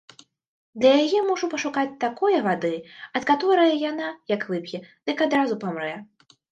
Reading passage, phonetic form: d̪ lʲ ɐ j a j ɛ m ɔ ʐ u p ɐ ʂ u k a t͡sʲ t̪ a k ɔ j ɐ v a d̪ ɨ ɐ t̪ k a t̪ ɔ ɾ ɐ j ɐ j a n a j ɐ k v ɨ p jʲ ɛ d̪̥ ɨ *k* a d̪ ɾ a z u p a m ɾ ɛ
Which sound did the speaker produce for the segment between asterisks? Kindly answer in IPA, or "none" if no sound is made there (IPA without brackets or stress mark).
k